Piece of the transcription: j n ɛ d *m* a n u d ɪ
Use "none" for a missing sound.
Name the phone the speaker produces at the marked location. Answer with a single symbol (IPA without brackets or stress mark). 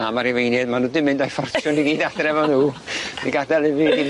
m